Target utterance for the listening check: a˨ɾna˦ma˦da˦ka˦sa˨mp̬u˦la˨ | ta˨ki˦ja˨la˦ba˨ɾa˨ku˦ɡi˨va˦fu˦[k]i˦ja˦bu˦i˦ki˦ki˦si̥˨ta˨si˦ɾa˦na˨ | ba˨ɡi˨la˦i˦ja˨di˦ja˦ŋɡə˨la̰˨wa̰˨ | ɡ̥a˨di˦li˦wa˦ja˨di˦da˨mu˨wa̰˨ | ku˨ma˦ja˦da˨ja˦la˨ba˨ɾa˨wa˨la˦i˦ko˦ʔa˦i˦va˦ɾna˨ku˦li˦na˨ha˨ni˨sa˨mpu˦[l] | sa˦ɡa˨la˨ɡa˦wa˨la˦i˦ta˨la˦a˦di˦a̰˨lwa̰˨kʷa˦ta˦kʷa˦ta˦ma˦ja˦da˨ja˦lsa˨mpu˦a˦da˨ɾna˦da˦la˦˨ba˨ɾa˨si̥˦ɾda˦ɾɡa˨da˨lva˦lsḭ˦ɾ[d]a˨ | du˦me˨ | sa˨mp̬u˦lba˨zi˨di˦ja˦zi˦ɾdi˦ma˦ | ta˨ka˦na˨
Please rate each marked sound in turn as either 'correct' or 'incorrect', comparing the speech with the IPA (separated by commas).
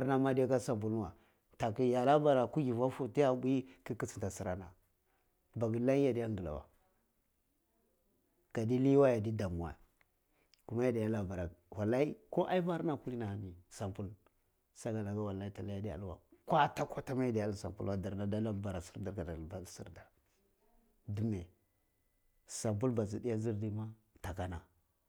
incorrect, correct, correct